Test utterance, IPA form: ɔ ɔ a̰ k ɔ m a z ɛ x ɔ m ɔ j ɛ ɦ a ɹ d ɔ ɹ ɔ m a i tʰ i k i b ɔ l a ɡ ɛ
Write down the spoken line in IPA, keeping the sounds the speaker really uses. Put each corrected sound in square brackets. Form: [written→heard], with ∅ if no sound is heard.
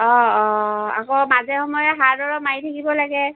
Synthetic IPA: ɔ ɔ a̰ k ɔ m a z ɛ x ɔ m ɔ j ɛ ɦ a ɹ d ɔ ɹ ɔ m a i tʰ [i→a] k i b ɔ l a ɡ ɛ